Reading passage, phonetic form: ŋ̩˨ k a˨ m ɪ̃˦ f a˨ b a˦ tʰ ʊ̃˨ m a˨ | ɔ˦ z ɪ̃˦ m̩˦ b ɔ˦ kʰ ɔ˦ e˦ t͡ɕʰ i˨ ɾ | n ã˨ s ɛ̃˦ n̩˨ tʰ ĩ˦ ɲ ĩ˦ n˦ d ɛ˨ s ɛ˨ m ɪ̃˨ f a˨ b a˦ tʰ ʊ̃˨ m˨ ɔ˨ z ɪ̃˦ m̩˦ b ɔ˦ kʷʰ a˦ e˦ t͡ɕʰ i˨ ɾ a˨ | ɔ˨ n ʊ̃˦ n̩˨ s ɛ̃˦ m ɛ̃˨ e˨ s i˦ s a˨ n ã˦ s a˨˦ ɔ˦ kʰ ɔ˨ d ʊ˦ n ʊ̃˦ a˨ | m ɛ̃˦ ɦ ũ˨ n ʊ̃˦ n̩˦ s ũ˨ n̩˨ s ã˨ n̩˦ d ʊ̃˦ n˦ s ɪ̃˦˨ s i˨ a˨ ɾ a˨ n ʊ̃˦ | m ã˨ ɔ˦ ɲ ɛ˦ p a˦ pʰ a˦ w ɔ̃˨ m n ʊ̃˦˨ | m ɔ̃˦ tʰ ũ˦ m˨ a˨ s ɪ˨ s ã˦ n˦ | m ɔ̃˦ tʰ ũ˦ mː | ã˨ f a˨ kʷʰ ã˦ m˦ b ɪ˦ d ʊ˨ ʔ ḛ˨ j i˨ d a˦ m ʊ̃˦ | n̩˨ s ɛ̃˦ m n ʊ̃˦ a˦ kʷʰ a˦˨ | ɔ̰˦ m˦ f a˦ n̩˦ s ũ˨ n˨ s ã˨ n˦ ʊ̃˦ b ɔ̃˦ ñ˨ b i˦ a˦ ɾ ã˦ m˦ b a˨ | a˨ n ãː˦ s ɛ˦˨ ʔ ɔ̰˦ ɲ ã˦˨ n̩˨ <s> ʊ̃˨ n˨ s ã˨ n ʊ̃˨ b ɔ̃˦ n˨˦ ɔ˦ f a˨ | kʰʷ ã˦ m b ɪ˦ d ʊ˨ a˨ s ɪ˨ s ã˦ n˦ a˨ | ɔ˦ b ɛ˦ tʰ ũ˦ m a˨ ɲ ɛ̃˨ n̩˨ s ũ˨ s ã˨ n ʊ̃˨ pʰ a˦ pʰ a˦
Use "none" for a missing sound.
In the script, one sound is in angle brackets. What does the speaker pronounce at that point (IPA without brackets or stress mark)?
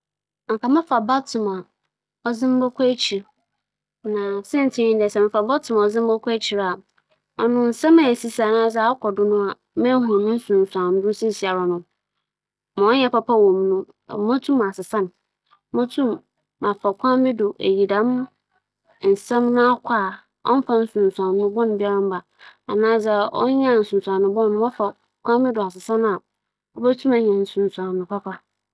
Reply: s